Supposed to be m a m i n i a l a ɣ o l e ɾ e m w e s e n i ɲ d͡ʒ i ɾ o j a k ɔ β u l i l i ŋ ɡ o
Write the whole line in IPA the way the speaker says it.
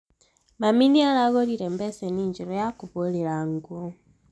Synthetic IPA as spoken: m a m i n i a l a ɣ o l i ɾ e m b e s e n i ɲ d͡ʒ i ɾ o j a k u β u l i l a ŋ ɡ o